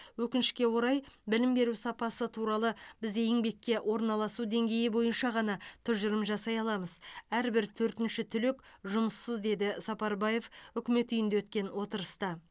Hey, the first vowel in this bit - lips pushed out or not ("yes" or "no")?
yes